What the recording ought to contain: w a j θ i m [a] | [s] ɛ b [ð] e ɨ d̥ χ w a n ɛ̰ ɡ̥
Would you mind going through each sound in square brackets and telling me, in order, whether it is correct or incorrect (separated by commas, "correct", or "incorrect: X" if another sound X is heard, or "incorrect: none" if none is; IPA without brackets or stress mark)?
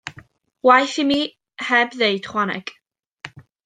incorrect: i, incorrect: h, correct